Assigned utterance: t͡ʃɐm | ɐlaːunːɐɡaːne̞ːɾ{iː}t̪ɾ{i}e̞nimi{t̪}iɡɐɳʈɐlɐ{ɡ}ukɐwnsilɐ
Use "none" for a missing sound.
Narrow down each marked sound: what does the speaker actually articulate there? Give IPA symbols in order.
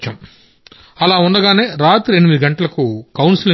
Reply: aː, i, d̪, k

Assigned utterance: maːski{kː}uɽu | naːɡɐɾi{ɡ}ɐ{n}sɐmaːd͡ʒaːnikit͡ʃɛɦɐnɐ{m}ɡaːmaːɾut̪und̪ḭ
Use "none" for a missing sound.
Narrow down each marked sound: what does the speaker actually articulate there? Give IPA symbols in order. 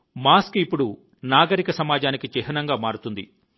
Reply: pː, k, none, ŋ

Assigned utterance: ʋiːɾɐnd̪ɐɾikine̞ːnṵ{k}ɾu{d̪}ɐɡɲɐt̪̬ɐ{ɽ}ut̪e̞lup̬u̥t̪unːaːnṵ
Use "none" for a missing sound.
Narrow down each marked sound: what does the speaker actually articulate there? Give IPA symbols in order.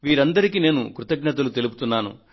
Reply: k, t̪, l

